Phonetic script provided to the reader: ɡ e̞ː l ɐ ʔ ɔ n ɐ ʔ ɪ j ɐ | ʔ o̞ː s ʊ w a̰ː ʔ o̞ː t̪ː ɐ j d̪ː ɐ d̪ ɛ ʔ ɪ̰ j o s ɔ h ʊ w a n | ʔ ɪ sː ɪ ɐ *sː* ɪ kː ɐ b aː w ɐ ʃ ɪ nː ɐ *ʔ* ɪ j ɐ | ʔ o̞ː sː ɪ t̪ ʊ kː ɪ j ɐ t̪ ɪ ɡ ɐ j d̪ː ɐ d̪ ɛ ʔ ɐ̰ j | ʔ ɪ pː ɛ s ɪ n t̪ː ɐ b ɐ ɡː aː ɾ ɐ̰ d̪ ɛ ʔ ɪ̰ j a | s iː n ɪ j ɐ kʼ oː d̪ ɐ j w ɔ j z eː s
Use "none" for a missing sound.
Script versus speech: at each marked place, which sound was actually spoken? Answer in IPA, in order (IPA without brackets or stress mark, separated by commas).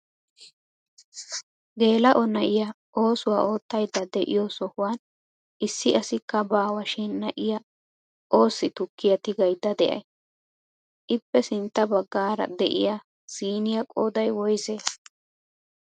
s, ʔ